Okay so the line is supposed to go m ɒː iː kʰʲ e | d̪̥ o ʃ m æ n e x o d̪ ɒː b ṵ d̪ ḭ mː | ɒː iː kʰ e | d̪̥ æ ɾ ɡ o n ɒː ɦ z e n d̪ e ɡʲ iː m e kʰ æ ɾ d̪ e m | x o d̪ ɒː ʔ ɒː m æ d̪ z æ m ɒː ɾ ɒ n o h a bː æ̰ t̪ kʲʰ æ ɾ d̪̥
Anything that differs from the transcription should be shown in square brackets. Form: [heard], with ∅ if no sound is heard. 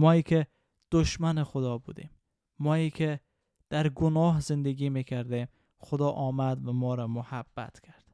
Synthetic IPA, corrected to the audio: m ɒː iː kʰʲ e | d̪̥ o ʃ m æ n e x o d̪ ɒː b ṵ d̪ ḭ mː | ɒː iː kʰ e | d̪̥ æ ɾ ɡ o n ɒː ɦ z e n d̪ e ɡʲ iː m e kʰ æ ɾ d̪ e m | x o d̪ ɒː ʔ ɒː m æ d̪ [v] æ m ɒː ɾ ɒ [m] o h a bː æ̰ t̪ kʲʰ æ ɾ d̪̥